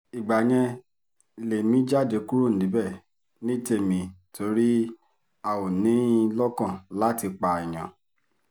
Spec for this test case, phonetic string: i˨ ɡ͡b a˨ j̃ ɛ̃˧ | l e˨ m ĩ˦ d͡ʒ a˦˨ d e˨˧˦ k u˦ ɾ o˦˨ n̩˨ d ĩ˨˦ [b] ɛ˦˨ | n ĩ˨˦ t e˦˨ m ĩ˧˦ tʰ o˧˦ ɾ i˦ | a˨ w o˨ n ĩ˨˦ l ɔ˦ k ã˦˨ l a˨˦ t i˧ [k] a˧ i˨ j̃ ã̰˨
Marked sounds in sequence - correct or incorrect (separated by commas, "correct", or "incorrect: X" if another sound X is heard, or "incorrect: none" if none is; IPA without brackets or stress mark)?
correct, incorrect: k͡p